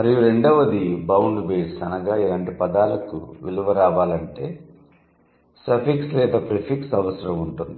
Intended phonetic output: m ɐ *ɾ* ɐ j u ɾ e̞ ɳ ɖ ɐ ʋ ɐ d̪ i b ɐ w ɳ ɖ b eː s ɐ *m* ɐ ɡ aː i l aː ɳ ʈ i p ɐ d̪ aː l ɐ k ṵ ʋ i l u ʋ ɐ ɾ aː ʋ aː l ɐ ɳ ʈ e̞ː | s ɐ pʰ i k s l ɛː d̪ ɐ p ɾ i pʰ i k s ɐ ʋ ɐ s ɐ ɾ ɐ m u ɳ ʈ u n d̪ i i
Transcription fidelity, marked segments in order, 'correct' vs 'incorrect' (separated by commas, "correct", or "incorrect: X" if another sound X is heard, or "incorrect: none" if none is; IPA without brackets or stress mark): correct, incorrect: n